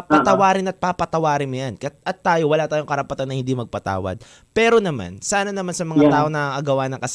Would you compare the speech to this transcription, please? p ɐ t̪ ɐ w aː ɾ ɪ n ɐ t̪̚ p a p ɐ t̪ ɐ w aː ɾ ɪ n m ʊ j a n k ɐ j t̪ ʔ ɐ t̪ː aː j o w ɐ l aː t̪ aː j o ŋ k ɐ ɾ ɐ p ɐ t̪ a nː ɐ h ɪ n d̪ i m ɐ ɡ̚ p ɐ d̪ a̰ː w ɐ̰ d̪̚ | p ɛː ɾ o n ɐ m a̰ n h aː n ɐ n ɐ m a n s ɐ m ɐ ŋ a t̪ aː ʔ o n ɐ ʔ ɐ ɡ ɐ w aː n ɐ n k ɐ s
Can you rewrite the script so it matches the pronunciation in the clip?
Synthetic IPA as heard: p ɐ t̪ ɐ w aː ɾ ɪ n ɐ t̪̚ p a p ɐ t̪ ɐ w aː ɾ ɪ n m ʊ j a n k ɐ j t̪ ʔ ɐ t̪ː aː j o w ɐ l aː t̪ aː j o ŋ k ɐ ɾ ɐ p ɐ t̪ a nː ɐ h ɪ n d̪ i m ɐ ɡ̚ p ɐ t̪ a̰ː w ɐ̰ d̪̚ | p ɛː ɾ o n ɐ m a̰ n s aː n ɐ n ɐ m a n s ɐ m ɐ ŋ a t̪ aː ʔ o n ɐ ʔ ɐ ɡ ɐ w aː n ɐ ŋ k ɐ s